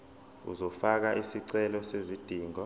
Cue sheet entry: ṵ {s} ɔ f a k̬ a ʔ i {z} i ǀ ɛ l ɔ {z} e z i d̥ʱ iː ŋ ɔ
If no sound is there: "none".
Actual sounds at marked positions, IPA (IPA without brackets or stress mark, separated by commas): z, s, s